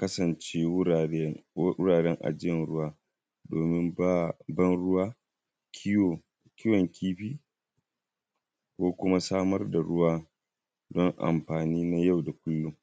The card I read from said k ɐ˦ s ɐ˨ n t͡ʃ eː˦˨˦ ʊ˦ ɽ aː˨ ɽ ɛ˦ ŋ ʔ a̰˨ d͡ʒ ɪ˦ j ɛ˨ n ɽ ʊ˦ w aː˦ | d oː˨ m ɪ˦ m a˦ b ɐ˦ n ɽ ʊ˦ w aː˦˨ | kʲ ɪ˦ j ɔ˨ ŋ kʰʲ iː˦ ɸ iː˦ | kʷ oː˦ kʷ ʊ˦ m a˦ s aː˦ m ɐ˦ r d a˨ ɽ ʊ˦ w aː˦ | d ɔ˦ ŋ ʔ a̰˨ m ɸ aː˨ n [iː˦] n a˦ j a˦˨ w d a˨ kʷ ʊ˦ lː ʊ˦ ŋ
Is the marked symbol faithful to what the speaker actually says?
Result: yes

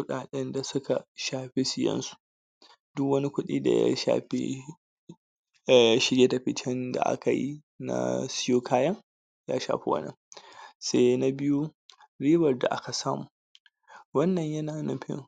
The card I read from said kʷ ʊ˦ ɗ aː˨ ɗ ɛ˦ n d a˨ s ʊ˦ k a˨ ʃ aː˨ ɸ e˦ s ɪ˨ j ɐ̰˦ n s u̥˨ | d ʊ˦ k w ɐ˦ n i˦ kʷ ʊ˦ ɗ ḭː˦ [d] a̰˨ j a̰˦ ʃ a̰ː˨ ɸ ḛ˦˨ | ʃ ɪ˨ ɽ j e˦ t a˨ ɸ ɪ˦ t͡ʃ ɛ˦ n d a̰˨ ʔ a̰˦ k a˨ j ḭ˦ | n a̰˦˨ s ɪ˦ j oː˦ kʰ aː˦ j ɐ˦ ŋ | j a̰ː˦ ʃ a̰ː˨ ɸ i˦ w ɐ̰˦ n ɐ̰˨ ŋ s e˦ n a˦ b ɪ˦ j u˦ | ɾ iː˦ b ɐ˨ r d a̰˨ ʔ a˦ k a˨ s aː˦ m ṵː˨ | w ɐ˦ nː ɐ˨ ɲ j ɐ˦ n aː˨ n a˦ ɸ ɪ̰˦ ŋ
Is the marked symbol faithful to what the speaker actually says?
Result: yes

